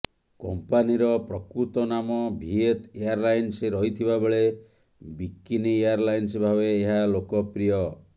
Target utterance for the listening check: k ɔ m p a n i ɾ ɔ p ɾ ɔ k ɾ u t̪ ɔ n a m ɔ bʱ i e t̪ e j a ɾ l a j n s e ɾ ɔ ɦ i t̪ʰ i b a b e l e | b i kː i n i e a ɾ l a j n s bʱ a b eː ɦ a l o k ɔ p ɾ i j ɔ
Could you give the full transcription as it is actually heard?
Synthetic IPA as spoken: k ɔ m p a n i ɾ ɔ p ɾ ɔ k ɾ u t̪ ɔ n a m ɔ bʱ i e t̪ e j a ɾ l a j n s e ɾ ɔ ɦ i t̪ʰ i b a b e ɭ e | b i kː i n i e a ɾ l a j n s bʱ a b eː ɦ a l o k ɔ p ɾ i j ɔ

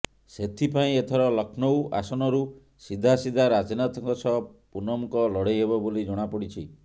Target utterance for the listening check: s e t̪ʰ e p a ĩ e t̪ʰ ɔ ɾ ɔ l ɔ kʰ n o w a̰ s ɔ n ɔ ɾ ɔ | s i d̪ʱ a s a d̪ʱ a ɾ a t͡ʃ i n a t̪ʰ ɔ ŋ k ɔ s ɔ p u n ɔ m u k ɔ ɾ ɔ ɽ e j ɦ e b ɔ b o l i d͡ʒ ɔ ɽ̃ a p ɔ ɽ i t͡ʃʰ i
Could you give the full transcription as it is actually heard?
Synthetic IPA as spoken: s e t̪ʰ i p a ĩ e t̪ʰ ɔ ɾ ɔ l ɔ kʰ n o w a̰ s ɔ n ɔ ɾ u | s i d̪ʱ a s i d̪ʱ a ɾ a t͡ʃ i n a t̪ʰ ɔ ŋ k ɔ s ɔ p u n ɔ m u k ɔ l ɔ ɽ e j ɦ e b ɔ b o l i d͡ʒ ɔ ɽ̃ a p ɔ ɽ i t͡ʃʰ i

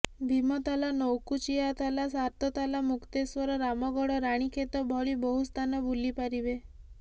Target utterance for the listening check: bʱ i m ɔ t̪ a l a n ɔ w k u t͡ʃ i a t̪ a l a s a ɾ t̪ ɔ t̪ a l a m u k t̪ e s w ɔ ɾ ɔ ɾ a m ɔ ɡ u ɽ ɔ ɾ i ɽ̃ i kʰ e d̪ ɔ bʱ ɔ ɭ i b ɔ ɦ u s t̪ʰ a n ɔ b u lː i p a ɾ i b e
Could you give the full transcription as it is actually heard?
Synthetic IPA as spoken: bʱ i m ɔ t̪ a l a n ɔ w k u t͡ʃ i a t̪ a l a s a ɾ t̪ ɔ t̪ a l a m u k t̪ e s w ɔ ɾ ɔ ɾ a m ɔ ɡ ɔ ɽ ɔ ɾ a ɽ̃ i kʰ e t̪ ɔ bʱ ɔ ɭ i b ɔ ɦ u s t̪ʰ a n ɔ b u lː i p a ɾ i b e

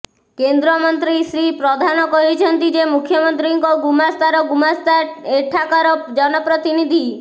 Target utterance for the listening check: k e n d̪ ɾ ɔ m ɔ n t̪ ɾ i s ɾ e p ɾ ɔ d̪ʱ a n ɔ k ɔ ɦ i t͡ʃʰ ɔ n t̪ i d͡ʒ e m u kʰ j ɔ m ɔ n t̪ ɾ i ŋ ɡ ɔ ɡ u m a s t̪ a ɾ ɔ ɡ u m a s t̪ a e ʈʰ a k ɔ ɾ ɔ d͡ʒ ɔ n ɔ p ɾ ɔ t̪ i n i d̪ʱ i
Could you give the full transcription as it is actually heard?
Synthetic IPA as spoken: k e n d̪ ɾ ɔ m ɔ n t̪ ɾ i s ɾ i p ɾ ɔ d̪ʱ a n ɔ k ɔ ɦ i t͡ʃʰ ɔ n t̪ i d͡ʒ e m u kʰ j ɔ m ɔ n t̪ ɾ i ŋ k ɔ ɡ u m a s t̪ a ɾ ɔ ɡ u m a s t̪ a e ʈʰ a k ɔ ɾ ɔ d͡ʒ ɔ n ɔ p ɾ ɔ t̪ i n i d̪ʱ i

